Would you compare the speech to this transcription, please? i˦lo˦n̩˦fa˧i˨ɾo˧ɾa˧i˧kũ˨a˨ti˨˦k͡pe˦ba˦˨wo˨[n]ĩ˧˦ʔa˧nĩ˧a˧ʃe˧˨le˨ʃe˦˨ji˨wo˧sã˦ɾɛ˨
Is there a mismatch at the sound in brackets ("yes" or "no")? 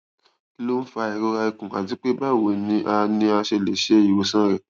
no